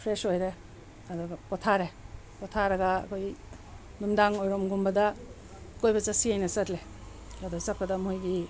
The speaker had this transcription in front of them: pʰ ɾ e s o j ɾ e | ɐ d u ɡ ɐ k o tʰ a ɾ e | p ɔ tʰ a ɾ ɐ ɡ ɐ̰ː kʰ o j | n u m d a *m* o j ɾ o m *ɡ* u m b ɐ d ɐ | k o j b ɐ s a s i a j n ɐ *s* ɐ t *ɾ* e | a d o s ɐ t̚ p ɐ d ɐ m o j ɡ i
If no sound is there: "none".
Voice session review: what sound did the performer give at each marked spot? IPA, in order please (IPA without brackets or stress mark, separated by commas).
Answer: ŋ, ɡ, s, l